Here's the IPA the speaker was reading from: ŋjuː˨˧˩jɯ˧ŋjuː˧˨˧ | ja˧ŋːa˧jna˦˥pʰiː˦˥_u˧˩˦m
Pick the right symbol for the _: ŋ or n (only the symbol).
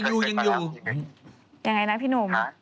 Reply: n